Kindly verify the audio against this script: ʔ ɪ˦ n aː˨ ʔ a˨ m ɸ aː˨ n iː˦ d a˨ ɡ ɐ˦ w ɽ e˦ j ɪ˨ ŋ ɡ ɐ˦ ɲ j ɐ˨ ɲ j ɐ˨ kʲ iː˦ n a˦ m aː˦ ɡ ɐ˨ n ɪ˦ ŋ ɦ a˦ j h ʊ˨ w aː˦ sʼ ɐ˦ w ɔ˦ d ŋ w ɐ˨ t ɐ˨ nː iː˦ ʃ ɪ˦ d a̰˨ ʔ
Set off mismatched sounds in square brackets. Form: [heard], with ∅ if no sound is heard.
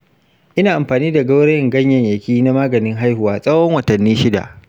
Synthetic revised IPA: ʔ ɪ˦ n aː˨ ʔ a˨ m ɸ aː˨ n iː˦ d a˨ ɡ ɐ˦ w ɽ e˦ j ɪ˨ ŋ ɡ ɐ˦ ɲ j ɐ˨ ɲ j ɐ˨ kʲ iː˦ n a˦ m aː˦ ɡ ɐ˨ n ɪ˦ ŋ ɦ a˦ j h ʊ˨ w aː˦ sʼ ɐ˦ w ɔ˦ [∅] ŋ w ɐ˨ t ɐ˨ nː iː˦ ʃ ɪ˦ d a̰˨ ʔ